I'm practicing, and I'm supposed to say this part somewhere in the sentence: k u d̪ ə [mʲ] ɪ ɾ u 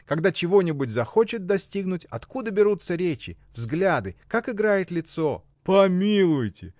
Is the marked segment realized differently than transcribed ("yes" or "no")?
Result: yes